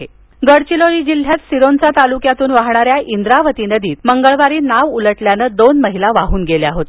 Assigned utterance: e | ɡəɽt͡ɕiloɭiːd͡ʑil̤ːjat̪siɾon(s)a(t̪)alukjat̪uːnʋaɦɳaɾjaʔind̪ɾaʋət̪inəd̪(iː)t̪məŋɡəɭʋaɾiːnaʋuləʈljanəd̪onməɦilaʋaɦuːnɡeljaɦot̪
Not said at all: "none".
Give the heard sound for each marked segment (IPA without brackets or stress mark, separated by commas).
t͡s, t̪, iː